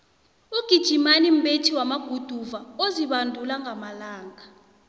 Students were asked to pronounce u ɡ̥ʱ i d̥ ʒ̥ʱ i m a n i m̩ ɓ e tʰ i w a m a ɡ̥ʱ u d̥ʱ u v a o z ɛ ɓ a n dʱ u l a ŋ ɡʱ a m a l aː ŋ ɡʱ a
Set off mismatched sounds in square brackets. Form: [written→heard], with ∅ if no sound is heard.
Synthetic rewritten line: u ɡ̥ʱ i d̥ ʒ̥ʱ i m a n i m̩ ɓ e tʰ i w a m a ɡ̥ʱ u d̥ʱ u v a o z [ɛ→i] ɓ a n dʱ u l a ŋ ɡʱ a m a l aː ŋ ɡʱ a